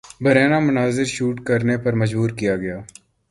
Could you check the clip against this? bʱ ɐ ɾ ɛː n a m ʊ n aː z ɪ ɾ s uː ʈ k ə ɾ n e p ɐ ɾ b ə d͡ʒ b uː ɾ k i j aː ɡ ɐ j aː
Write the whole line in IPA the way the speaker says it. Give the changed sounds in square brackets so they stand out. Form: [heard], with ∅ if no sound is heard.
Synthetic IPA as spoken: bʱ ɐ ɾ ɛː n a m ʊ n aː z ɪ ɾ [ʃ] uː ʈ k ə ɾ n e p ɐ ɾ [m] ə d͡ʒ b uː ɾ k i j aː ɡ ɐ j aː

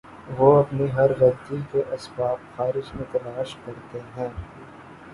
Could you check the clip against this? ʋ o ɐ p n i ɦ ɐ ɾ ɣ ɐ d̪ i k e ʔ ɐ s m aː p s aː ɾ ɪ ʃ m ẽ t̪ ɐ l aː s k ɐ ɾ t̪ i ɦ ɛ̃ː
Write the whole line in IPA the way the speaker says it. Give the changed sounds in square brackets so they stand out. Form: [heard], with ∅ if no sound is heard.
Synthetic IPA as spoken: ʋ o ɐ p n i ɦ ɐ ɾ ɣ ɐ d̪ i k e ʔ ɐ s [b] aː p [x] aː ɾ ɪ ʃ m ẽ t̪ ɐ l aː [ʃ] k ɐ ɾ t̪ [e] ɦ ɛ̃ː

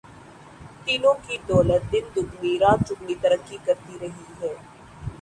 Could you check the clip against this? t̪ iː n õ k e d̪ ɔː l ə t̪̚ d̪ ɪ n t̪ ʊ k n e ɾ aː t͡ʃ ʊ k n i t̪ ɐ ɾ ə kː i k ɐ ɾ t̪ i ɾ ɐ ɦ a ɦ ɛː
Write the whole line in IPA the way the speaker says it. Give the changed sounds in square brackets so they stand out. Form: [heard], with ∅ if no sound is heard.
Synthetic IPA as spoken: t̪ iː n õ k [i] d̪ ɔː l ə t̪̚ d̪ ɪ n [d̪] ʊ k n [i] ɾ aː t͡ʃ ʊ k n i t̪ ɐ ɾ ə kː i k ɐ ɾ t̪ i ɾ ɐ ɦ [i] ɦ ɛː

